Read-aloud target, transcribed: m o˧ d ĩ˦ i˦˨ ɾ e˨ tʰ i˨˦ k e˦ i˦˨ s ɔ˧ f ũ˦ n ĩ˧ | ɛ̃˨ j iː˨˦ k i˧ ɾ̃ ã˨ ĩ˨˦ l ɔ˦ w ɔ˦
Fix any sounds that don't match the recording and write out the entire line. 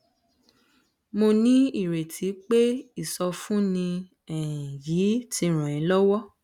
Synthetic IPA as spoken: m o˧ n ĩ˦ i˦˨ ɾ e˨ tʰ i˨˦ k͡p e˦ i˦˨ s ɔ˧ f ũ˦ n ĩ˧ | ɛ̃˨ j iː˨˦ t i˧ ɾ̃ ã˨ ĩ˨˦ l ɔ˦ w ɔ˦

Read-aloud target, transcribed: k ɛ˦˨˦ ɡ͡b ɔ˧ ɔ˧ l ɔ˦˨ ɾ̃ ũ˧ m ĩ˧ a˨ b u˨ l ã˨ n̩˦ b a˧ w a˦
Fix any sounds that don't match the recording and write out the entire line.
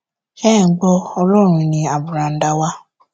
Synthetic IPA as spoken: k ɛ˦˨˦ ɡ͡b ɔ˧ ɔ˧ l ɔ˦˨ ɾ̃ ũ˧ n ĩ˧ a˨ b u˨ ɾ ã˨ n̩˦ d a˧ w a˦

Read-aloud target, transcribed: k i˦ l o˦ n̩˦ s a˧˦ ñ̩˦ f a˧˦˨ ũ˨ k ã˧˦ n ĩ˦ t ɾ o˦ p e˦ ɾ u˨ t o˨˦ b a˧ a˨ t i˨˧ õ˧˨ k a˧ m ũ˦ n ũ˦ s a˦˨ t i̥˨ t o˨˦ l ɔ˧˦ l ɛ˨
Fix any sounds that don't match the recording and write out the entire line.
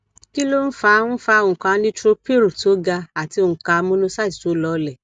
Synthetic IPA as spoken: k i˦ l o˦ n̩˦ f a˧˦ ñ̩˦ f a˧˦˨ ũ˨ k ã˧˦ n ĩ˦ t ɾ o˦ p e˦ ɾ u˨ t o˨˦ ɡ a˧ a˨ t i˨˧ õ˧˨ k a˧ m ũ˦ n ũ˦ s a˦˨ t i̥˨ t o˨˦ l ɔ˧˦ l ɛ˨

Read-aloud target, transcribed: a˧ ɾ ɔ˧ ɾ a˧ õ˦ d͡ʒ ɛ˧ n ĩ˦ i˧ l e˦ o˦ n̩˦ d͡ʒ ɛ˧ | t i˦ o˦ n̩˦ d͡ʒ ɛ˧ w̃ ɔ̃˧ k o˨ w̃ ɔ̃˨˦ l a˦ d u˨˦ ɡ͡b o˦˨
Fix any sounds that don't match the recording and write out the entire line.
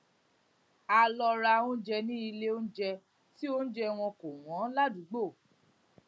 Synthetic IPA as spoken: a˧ l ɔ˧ ɾ a˧ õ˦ d͡ʒ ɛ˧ n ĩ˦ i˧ l e˦ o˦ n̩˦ d͡ʒ ɛ˧ | t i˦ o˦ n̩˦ d͡ʒ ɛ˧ w̃ ɔ̃˧ k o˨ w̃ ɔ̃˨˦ l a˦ d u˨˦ ɡ͡b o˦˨

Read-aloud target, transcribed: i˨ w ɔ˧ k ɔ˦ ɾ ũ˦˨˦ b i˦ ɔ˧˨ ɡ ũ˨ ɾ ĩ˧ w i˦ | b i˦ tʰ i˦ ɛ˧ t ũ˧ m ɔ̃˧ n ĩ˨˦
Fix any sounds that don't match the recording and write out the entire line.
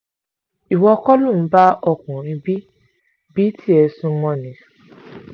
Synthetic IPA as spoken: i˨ w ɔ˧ k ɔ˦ l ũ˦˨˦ b a˦ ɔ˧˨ k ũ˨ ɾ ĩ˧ b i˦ | b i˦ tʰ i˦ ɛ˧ s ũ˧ m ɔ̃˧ n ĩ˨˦

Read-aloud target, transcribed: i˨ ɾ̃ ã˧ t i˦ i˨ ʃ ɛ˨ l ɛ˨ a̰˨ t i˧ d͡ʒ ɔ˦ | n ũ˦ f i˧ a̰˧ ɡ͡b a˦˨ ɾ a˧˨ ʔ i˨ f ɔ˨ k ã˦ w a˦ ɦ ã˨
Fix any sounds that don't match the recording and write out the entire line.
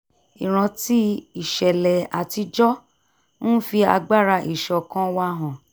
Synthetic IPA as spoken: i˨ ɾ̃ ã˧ t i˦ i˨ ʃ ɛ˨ l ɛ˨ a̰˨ t i˧ d͡ʒ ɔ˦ | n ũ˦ f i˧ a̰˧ ɡ͡b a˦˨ ɾ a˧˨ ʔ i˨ ʃ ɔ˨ k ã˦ w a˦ ɦ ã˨

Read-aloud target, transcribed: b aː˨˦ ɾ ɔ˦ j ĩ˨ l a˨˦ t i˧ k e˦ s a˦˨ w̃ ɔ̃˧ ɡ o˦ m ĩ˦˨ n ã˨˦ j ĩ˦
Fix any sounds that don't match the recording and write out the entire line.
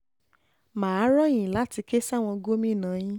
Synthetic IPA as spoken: m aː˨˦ ɾ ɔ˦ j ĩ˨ l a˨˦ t i˧ k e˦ s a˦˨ w̃ ɔ̃˧ ɡ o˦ m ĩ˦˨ n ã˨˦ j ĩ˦

